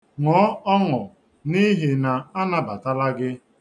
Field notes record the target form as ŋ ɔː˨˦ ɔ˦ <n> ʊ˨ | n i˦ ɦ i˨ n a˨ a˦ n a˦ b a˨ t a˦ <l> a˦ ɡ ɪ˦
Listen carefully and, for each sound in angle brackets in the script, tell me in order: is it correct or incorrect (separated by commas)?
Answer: incorrect, correct